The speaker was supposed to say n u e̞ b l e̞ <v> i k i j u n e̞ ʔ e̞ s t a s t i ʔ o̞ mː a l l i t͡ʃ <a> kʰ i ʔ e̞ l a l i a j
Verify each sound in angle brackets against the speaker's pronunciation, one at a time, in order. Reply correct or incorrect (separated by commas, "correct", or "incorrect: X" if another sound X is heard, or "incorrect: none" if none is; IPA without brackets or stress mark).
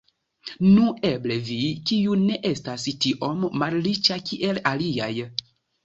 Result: correct, correct